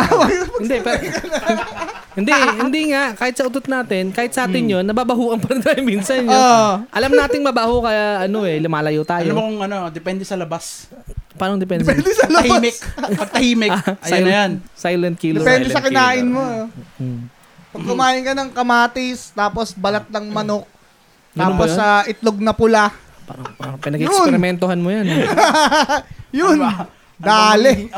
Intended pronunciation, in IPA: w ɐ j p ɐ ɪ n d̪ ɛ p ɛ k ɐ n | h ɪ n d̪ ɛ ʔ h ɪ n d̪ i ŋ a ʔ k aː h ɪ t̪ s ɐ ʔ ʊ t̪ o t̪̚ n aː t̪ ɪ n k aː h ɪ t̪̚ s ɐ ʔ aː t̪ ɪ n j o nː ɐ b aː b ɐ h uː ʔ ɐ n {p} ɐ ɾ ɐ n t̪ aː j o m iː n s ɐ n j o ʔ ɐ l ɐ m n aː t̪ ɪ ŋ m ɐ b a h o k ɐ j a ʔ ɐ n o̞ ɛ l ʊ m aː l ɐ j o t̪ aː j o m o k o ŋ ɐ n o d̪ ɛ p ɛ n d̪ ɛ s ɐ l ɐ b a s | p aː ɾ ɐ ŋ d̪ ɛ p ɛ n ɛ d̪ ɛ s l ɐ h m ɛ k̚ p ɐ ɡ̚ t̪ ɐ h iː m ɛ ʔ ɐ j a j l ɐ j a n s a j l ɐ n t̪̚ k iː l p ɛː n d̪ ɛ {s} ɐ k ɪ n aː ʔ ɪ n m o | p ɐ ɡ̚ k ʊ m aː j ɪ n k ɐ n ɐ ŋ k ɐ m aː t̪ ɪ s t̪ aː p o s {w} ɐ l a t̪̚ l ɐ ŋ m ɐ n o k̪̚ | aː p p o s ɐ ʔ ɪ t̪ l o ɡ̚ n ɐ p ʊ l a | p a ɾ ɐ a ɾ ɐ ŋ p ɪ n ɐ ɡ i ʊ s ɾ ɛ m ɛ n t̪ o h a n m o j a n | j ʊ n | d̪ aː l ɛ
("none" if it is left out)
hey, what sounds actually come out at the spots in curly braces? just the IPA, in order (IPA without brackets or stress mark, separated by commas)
p, s, b